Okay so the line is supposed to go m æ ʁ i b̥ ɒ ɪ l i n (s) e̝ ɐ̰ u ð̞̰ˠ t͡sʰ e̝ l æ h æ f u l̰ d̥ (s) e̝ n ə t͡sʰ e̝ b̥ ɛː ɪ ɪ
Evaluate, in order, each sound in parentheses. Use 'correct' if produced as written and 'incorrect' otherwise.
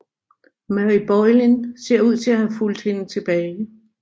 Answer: correct, incorrect

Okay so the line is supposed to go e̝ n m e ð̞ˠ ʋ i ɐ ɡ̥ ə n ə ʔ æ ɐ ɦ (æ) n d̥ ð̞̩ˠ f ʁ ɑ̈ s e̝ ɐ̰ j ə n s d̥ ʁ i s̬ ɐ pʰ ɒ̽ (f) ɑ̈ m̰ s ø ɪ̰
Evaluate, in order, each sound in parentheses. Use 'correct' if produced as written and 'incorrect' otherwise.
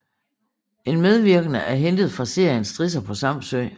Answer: incorrect, incorrect

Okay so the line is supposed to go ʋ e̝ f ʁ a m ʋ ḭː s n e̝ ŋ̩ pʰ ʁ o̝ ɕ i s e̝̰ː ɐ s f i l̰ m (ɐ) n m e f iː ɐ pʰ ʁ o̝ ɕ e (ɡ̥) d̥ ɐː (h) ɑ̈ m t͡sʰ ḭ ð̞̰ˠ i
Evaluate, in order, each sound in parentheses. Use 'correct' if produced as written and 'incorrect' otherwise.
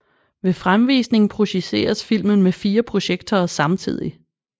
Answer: incorrect, correct, incorrect

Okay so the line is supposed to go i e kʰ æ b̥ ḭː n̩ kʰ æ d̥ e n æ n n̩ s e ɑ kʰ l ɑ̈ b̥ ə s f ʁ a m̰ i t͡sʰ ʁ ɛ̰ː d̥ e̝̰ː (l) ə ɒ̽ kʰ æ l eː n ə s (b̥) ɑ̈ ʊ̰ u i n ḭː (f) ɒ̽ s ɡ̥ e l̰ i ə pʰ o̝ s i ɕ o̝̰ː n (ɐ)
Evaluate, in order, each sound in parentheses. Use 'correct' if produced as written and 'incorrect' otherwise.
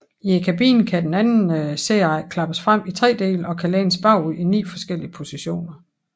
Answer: correct, correct, correct, correct

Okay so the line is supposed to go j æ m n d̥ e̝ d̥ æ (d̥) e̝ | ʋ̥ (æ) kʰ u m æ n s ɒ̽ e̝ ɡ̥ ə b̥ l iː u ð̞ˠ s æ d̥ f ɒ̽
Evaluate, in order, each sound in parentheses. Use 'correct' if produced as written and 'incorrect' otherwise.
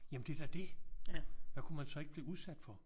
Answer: correct, correct

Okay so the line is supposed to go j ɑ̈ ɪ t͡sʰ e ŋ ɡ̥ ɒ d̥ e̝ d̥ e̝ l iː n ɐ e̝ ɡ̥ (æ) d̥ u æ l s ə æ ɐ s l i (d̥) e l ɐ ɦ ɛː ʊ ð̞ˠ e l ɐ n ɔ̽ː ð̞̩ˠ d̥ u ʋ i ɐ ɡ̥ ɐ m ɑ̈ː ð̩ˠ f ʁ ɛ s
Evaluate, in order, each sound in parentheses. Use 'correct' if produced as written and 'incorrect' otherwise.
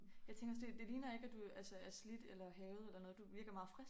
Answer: correct, correct

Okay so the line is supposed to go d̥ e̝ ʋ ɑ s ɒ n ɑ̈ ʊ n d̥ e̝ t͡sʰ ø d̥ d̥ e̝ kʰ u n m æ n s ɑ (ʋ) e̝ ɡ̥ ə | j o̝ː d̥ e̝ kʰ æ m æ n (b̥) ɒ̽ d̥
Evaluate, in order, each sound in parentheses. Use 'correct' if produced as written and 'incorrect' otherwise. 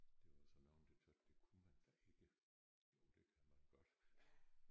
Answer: incorrect, incorrect

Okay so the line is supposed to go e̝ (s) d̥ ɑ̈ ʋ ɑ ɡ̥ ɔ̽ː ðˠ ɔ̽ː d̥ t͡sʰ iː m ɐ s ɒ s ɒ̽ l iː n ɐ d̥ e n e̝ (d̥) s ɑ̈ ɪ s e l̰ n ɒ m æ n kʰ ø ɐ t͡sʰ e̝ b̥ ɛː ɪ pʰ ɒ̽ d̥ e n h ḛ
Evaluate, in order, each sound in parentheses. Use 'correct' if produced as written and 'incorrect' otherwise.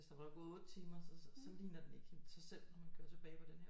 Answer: correct, incorrect

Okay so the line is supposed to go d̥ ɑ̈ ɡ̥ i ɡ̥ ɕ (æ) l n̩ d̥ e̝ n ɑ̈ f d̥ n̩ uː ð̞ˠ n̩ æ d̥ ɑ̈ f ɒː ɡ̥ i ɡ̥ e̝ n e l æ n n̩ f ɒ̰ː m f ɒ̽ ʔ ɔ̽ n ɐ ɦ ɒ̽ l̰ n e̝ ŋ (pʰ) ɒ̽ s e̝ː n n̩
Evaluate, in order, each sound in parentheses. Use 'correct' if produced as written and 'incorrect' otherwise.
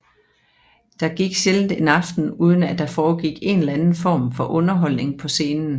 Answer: incorrect, correct

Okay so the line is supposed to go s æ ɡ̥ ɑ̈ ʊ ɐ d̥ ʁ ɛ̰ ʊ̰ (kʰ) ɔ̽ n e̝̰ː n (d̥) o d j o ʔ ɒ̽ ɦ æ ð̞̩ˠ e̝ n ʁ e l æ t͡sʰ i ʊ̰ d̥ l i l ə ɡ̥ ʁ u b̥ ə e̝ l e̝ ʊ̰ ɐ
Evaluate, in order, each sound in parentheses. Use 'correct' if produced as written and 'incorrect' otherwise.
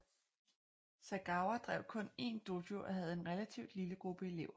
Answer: correct, correct

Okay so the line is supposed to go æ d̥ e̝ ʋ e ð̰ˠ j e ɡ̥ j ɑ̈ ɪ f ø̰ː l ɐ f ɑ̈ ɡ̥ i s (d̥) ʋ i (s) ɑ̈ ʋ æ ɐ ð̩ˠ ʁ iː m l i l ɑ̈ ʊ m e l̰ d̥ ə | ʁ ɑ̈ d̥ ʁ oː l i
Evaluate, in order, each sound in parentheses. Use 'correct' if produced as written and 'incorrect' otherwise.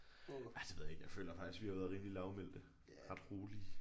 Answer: incorrect, incorrect

